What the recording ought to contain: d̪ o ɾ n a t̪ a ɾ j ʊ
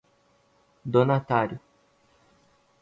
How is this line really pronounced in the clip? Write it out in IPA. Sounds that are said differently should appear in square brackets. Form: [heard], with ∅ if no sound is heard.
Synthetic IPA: d̪ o [∅] n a t̪ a ɾ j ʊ